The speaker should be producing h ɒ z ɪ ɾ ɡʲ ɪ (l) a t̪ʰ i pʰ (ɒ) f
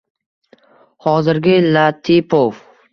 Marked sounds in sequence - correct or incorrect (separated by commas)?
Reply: correct, incorrect